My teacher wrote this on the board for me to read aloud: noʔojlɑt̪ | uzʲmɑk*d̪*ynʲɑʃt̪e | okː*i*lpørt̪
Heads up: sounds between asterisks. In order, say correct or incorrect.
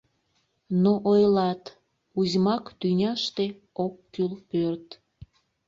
incorrect: t̪, incorrect: y

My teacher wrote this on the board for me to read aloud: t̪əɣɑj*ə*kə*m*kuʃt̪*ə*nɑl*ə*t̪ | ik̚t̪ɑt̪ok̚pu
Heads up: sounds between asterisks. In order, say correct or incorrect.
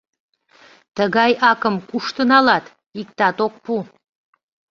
incorrect: ɑ, correct, correct, incorrect: ɑ

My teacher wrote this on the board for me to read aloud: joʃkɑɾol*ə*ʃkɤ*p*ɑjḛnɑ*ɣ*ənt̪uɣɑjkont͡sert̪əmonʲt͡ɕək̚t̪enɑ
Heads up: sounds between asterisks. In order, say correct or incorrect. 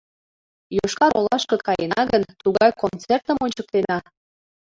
incorrect: ɑ, incorrect: k, correct

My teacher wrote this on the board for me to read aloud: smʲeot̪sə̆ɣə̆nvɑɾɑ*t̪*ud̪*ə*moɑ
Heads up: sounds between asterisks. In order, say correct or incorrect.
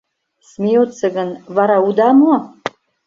incorrect: none, incorrect: ɑ

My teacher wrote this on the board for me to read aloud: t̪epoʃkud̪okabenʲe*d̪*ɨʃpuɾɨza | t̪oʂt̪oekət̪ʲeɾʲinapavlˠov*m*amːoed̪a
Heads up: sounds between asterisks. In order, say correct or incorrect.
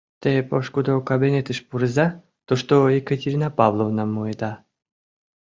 incorrect: t̪, incorrect: n

